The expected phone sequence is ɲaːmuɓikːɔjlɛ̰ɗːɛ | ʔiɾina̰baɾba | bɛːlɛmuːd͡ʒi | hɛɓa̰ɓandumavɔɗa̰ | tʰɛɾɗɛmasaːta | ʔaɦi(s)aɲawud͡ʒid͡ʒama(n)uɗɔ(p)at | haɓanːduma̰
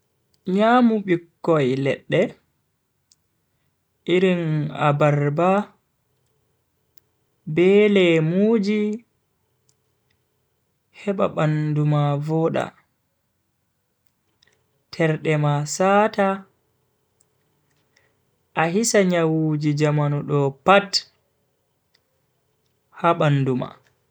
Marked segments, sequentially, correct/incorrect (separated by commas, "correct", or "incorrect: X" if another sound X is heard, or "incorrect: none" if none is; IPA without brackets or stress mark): correct, correct, correct